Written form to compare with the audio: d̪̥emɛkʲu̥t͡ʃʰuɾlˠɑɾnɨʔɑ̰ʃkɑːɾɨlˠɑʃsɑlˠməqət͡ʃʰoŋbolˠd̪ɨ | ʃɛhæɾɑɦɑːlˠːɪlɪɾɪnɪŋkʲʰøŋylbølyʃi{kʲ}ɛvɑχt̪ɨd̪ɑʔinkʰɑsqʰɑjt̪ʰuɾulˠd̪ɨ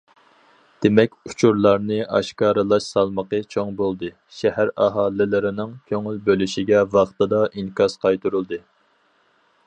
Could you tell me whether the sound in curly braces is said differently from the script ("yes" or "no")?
yes